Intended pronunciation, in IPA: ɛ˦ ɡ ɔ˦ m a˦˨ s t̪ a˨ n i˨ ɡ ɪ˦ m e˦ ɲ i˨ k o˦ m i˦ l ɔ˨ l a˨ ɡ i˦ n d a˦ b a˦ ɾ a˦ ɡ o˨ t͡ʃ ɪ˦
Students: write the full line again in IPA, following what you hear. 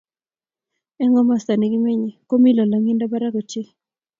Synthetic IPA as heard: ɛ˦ ŋ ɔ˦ m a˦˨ s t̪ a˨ n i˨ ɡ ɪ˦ m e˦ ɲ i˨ k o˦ m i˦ l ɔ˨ l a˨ ŋ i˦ n d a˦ b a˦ ɾ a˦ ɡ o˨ t͡ʃ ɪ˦